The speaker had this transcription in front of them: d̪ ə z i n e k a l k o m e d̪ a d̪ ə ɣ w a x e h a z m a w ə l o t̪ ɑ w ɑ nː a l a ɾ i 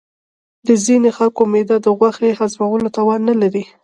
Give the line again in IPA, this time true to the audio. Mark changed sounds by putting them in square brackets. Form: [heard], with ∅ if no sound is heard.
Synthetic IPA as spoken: d̪ ə z i n e [x] a l k o m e d̪ a d̪ ə ɣ w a x e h a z m a w ə l o t̪ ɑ w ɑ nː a l a ɾ i